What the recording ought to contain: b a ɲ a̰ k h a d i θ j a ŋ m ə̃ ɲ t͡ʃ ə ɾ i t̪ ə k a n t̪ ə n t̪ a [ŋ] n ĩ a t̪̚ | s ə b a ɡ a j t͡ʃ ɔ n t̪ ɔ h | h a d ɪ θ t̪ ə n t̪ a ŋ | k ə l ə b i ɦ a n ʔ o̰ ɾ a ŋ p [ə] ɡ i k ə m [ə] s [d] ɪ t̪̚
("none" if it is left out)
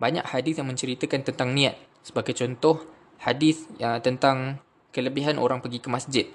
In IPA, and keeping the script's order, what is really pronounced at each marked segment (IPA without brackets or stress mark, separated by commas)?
ŋ, ə, a, d͡ʒ